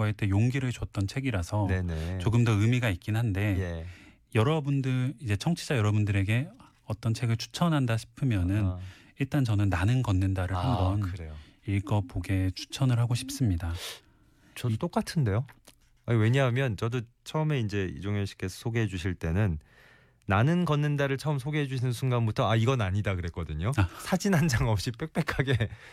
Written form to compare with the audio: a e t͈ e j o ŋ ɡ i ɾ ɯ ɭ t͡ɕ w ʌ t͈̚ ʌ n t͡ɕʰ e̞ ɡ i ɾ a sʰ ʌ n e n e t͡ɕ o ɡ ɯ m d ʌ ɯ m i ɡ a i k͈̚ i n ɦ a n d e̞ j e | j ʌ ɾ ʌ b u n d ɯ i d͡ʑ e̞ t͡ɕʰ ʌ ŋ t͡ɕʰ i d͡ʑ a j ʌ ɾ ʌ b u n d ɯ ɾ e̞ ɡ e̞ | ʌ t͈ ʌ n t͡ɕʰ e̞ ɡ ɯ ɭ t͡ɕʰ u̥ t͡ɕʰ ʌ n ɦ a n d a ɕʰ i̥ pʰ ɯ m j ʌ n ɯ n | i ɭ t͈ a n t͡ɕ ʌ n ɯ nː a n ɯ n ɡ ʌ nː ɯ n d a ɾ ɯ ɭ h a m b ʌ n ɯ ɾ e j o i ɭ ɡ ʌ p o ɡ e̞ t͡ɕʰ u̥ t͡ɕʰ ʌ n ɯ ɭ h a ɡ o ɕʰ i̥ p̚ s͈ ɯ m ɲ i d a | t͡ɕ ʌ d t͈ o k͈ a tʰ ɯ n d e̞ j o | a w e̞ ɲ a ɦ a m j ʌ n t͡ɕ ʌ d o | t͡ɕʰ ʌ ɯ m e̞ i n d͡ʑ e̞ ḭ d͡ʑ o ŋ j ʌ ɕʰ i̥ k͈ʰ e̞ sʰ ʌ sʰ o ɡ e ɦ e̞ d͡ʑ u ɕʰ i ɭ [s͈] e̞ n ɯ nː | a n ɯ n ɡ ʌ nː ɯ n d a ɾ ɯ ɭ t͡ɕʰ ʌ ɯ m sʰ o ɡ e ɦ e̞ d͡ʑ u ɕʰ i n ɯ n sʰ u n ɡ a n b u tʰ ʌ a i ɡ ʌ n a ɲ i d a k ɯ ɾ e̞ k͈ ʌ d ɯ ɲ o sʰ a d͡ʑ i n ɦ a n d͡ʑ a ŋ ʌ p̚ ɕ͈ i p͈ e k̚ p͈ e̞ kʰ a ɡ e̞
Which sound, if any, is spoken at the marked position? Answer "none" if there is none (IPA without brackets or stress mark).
t͈